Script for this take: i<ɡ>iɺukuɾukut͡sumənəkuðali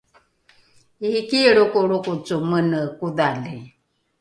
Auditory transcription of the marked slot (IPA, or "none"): k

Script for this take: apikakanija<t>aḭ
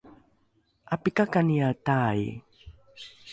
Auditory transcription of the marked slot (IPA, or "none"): t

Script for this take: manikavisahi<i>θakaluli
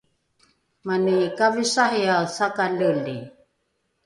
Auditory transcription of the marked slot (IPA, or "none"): a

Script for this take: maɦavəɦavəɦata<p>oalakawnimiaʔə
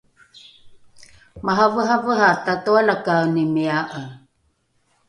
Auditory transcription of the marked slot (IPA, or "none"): t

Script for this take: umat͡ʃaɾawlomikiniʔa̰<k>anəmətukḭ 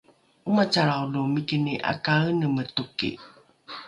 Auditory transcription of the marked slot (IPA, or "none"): k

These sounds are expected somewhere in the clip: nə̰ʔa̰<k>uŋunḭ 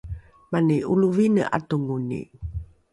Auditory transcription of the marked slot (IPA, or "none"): t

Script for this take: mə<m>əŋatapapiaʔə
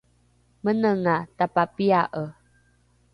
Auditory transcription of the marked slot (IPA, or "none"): n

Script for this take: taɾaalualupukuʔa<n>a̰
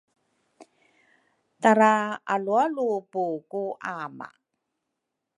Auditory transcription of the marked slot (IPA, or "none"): m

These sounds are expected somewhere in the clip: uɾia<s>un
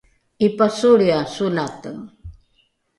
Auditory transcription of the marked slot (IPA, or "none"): s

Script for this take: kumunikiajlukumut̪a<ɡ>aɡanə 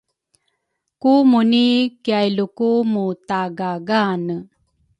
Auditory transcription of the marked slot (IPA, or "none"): ɡ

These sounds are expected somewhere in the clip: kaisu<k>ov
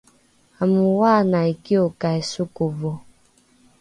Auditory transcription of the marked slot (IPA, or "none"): k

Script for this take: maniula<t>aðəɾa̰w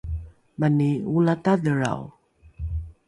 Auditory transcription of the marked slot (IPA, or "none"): t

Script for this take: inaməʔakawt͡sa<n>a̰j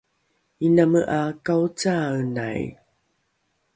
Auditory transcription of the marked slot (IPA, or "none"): n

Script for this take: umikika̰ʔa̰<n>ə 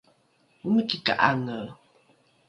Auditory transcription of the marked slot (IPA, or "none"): ŋ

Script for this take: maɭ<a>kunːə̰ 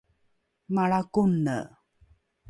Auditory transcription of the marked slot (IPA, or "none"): a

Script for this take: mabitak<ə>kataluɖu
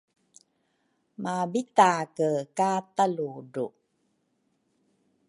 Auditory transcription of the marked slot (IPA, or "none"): ə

